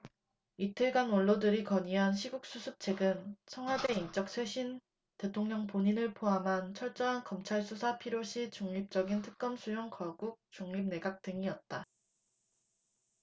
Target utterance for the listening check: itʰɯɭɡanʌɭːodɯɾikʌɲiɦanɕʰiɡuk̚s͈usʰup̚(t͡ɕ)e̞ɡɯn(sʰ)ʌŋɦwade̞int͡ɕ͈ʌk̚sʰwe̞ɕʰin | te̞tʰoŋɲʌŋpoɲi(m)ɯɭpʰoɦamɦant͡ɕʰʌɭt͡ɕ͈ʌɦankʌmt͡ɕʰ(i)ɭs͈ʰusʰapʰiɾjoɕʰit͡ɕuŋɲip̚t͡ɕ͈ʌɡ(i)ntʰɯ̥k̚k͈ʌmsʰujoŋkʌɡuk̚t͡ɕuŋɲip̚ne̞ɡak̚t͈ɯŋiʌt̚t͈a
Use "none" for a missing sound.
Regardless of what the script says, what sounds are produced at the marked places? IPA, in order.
t͡ɕʰ, sʰ, n, a, i

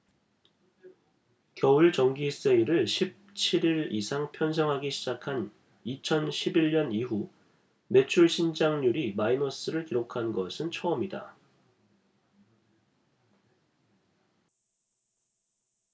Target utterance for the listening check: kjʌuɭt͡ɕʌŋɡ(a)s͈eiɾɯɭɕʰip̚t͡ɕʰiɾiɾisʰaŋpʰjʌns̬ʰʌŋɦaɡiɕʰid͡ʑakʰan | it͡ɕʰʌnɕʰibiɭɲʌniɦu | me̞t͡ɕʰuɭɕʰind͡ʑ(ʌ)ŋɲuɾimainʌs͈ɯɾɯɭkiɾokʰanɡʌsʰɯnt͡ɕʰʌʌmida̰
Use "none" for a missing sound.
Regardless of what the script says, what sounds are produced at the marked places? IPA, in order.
i, a

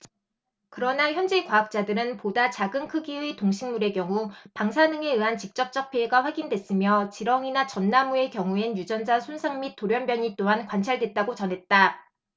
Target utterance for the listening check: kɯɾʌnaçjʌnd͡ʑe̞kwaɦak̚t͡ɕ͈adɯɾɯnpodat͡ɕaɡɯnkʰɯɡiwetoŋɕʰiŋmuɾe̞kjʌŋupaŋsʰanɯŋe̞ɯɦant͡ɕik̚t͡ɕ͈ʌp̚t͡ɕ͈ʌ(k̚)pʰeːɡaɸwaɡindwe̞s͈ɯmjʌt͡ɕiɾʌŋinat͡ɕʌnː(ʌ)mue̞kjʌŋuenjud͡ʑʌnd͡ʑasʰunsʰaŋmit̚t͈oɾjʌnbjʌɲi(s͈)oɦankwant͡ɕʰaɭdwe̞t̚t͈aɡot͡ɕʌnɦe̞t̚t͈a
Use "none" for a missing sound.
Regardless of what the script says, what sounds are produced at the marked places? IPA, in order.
k̚, a, t͈

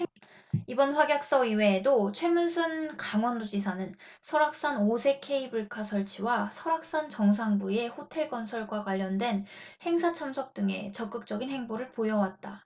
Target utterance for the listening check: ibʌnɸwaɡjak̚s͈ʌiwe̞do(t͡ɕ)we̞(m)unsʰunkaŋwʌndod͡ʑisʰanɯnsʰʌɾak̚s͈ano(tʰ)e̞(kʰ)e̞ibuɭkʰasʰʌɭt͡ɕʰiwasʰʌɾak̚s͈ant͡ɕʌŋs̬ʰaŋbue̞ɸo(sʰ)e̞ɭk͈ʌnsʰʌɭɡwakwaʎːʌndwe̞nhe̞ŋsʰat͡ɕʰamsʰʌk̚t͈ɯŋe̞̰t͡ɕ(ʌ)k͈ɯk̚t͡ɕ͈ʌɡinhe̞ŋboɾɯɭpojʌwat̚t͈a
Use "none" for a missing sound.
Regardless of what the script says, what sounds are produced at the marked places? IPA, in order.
t͡ɕʰ, m, sʰ, kʰ, tʰ, ʌ

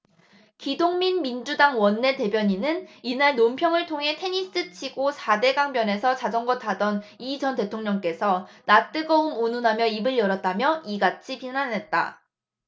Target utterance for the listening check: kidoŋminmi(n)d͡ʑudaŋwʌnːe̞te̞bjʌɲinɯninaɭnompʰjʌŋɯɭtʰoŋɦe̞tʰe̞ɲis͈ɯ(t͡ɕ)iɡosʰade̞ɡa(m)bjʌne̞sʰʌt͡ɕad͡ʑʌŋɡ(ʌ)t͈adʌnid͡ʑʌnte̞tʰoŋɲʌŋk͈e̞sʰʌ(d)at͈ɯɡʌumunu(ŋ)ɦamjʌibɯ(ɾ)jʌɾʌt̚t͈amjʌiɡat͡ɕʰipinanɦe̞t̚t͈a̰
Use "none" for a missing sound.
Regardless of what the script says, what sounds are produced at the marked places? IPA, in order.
n, t͡ɕʰ, ŋ, ʌ, n, n, ɭ

